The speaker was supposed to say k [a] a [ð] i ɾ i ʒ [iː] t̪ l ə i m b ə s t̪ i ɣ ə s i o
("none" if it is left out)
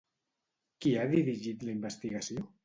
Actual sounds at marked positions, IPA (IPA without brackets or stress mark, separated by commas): i, ð, i